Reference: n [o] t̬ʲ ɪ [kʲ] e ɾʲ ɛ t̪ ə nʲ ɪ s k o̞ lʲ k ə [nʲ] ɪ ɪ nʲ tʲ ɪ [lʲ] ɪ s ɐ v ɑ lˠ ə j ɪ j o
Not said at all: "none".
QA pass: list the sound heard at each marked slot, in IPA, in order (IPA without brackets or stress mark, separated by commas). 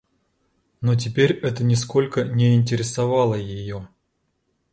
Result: o, pʲ, nʲ, ɾʲ